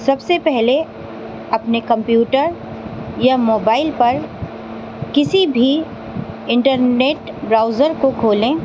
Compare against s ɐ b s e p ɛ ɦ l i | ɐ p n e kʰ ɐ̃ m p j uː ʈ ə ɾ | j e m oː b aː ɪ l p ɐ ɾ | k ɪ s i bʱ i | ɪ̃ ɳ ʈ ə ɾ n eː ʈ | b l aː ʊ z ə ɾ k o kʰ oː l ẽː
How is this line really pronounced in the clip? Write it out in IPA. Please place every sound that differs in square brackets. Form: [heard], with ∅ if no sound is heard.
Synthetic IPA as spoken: s ɐ b s e p ɛ ɦ l [e] | ɐ p n e [k] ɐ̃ m p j uː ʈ ə ɾ | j [a] m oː b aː ɪ l p ɐ ɾ | k ɪ s i bʱ i | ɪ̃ ɳ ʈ ə ɾ n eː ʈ | b [ɾ] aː ʊ z ə ɾ k o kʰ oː l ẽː